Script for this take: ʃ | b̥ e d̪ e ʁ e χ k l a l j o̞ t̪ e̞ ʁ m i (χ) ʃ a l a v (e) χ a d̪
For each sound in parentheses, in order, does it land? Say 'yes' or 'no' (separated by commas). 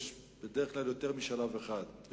no, yes